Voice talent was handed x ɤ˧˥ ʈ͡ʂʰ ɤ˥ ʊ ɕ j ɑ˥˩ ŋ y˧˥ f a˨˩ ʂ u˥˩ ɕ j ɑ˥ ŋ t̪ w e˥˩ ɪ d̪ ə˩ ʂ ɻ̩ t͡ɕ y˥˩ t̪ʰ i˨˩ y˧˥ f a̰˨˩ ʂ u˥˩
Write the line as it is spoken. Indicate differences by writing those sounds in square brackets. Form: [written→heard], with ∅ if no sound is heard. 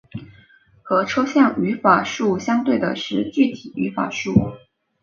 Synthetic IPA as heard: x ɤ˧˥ ʈ͡ʂʰ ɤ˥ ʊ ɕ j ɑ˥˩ ŋ y˧˥ f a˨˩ ʂ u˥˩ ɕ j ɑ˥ ŋ t̪ w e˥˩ ɪ d̪ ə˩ ʂ ɻ̩ t͡ɕ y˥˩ t̪ʰ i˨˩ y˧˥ f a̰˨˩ ʂ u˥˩